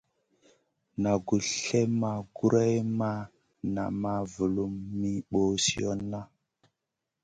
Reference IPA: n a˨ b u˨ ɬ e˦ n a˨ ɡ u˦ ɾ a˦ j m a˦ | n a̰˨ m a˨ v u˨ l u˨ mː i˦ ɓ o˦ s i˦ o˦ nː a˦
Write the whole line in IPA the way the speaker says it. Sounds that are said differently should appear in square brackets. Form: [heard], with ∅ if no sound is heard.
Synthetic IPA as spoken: n a˨ [ɡ] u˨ ɬ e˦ [m] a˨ ɡ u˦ ɾ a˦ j m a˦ | n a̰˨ m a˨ v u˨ l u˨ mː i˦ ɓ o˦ s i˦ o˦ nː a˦